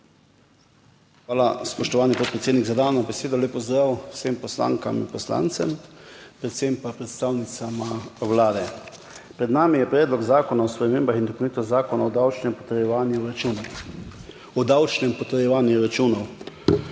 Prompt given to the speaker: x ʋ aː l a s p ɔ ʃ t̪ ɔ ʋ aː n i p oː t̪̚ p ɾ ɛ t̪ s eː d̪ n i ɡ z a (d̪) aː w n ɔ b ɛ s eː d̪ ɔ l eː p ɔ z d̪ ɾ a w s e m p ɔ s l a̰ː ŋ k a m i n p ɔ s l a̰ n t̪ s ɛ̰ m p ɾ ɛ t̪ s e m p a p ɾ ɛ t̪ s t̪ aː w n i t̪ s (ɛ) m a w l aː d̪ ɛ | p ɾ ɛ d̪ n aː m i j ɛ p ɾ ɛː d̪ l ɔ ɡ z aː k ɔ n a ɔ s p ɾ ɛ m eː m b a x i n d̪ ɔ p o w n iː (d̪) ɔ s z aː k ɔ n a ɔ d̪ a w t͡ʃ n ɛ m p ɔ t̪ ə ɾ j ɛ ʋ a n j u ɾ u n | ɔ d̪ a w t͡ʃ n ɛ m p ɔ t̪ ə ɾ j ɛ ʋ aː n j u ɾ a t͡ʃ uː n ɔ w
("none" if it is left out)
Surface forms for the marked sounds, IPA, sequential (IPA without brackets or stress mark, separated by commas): d̪, a, t̪